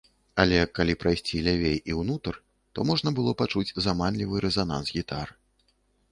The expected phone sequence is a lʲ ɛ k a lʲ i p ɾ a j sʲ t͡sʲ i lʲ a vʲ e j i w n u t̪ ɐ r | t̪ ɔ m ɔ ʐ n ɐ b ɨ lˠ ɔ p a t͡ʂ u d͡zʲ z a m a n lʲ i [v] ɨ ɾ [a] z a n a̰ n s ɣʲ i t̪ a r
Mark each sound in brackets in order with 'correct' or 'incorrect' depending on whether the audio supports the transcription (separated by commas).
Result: correct, incorrect